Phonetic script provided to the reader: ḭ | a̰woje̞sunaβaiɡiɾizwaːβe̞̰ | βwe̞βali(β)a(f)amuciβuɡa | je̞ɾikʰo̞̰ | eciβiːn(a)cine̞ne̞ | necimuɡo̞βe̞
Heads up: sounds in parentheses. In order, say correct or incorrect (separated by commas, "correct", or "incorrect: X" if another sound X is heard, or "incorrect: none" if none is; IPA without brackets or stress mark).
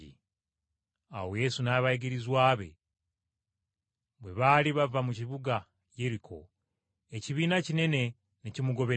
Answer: correct, incorrect: v, correct